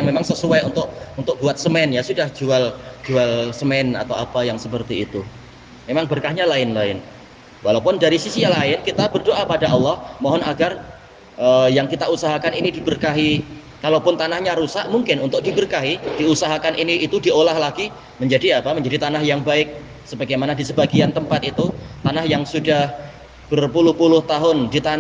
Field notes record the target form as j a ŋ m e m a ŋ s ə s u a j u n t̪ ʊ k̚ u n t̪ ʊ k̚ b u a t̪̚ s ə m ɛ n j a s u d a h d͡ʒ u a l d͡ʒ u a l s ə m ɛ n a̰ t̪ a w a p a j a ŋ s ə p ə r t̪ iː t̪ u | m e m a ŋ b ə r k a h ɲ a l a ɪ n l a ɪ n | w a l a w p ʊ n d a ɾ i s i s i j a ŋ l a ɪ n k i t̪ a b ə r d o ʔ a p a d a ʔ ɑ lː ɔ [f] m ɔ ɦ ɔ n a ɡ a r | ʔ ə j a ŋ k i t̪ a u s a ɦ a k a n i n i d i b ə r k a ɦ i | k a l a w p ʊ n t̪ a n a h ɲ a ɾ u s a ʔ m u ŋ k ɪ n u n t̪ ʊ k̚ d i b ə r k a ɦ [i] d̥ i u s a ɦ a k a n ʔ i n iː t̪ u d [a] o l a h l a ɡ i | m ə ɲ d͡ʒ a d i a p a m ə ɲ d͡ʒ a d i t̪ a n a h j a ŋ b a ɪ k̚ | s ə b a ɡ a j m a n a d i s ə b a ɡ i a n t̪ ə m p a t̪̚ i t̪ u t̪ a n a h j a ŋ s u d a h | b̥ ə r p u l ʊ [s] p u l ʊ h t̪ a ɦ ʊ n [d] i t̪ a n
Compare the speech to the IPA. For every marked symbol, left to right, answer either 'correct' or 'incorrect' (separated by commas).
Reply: incorrect, correct, incorrect, incorrect, correct